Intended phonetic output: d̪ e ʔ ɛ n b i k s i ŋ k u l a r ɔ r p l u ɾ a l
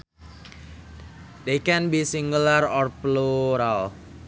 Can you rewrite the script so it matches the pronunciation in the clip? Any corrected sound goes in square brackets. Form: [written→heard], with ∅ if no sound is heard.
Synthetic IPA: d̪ e [ʔ→k] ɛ n b i [k→∅] s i ŋ [k→ɡ] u l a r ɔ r p l u ɾ a l